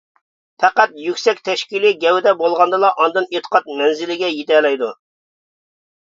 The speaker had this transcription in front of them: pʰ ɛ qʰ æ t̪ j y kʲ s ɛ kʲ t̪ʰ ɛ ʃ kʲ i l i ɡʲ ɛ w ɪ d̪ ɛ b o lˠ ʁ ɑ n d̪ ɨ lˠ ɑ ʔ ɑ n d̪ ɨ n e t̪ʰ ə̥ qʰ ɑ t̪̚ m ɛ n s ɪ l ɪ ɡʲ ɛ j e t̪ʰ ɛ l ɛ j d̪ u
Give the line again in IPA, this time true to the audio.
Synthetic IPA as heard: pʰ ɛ q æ t̪ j y kʲ s ɛ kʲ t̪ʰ ɛ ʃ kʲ i l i ɡʲ ɛ w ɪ d̪ ɛ b o lˠ ʁ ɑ n d̪ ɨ lˠ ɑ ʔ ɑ n d̪ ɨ n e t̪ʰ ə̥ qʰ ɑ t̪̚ m ɛ n z ɪ l ɪ ɡʲ ɛ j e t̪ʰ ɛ l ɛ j d̪ u